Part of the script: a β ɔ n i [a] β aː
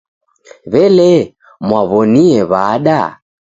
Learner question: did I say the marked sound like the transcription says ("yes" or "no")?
no